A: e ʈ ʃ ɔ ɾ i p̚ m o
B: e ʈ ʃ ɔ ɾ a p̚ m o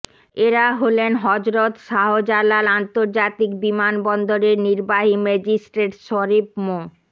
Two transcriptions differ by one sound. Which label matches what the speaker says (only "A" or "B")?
A